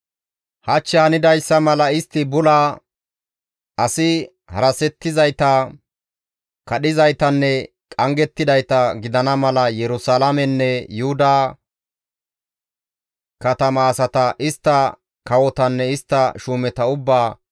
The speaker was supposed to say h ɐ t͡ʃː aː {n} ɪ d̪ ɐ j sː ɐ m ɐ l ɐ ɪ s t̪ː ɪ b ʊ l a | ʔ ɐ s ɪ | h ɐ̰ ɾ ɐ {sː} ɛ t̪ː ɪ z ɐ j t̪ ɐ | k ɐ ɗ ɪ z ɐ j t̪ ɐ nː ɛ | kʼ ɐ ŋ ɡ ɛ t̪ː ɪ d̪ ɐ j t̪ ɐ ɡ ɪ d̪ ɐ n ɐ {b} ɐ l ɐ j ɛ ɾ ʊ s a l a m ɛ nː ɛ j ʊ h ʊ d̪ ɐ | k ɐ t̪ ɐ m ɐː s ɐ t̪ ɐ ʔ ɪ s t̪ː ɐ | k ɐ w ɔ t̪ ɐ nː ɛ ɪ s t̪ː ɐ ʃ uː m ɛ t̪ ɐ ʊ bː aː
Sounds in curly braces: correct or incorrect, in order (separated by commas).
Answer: correct, incorrect, incorrect